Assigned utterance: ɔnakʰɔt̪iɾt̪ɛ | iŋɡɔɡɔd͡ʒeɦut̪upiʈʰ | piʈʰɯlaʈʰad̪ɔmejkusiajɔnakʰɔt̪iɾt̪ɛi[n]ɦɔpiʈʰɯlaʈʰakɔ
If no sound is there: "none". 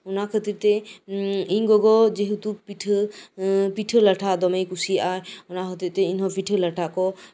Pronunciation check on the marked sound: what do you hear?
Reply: n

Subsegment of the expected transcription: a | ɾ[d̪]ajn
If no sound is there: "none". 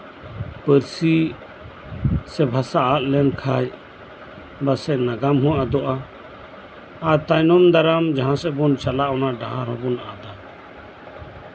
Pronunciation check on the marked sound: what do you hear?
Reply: t̪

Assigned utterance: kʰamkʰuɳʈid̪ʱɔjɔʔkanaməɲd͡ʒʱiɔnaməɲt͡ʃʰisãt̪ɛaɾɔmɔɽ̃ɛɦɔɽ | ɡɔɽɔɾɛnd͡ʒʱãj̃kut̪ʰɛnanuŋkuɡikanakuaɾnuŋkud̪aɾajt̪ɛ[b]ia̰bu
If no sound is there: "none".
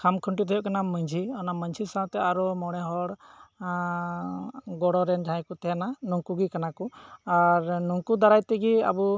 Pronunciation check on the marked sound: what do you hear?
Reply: ɡ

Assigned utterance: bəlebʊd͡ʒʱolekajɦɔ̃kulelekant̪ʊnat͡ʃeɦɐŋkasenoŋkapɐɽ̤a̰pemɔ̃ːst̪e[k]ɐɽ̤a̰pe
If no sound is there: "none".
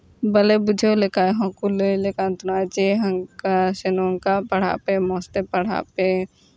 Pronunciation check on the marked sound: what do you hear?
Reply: p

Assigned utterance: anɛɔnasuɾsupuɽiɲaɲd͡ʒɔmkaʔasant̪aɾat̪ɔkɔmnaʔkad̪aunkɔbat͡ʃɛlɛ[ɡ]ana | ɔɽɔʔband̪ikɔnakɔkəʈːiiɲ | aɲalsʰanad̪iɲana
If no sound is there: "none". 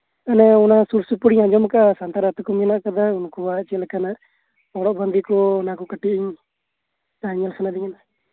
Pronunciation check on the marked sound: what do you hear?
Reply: k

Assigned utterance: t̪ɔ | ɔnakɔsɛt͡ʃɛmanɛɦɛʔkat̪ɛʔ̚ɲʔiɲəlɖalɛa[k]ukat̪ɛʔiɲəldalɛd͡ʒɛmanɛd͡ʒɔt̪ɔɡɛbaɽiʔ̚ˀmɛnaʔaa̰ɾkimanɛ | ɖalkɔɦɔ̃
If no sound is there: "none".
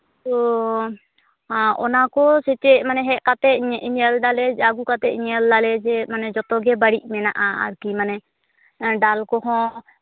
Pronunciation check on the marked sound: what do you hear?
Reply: ɡ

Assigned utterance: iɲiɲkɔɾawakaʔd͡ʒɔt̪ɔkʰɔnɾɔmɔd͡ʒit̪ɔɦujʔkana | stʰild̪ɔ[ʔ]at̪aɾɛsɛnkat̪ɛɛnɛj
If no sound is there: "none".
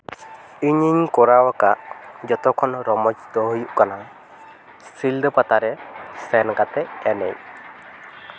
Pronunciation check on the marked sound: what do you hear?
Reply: p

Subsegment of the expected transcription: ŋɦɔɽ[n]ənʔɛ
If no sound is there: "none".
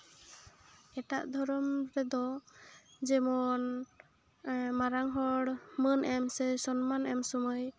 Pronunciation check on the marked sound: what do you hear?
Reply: m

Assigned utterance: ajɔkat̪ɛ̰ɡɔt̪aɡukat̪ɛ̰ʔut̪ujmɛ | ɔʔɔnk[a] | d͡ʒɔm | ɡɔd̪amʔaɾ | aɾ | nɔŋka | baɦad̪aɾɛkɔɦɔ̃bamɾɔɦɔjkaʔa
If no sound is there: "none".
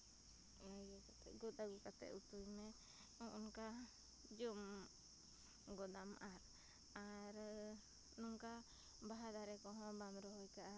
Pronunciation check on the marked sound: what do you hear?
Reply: a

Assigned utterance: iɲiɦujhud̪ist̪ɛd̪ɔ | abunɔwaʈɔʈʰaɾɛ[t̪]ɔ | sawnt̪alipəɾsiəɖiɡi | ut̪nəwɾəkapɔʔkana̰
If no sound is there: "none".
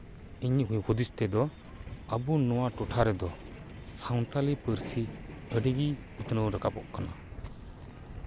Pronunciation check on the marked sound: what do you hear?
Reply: d̪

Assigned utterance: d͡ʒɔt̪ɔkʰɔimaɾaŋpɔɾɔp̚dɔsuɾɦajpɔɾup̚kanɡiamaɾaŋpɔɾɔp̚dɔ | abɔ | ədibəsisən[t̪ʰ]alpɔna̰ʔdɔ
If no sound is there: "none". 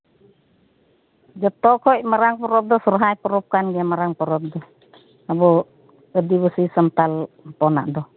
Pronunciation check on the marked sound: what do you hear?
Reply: t̪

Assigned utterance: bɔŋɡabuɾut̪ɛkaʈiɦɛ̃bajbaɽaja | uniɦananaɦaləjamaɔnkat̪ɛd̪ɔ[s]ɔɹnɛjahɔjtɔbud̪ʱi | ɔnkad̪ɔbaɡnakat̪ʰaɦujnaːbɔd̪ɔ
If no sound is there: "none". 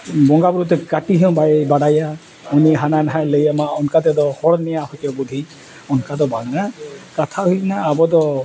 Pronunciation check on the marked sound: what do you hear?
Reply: h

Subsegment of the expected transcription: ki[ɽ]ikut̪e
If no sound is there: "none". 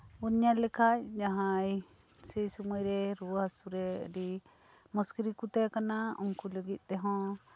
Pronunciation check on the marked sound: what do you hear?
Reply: ɾ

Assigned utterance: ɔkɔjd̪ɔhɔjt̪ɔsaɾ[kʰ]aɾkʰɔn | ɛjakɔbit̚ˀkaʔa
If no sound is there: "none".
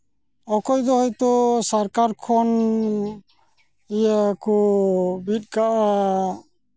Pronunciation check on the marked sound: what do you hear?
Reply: k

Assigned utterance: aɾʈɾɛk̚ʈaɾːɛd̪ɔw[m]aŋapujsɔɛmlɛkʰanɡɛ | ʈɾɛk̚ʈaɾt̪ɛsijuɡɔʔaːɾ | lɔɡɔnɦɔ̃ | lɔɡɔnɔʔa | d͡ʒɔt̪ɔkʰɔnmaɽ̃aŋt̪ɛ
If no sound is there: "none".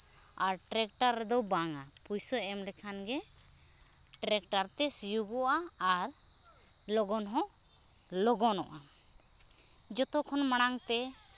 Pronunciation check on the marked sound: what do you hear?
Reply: b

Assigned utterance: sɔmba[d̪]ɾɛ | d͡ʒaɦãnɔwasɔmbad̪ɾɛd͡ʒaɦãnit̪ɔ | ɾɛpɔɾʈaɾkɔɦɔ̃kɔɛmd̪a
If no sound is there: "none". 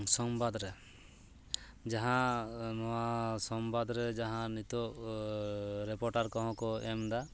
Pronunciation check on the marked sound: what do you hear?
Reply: d̪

